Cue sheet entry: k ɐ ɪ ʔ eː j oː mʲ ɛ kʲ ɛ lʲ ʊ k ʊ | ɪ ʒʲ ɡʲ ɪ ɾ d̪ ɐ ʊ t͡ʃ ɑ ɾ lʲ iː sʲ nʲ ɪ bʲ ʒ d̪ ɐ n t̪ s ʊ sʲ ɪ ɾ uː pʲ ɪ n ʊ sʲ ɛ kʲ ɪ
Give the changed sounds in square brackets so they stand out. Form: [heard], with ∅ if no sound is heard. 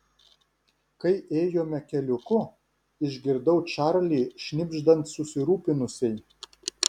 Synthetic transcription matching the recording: k ɐ ɪ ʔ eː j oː mʲ ɛ kʲ ɛ lʲ ʊ k ʊ | ɪ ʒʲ ɡʲ ɪ ɾ d̪ ɐ ʊ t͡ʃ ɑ ɾ lʲ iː [ʃʲ] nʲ ɪ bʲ ʒ d̪ ɐ n t̪ s ʊ sʲ ɪ ɾ uː pʲ ɪ n ʊ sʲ ɛ [∅] ɪ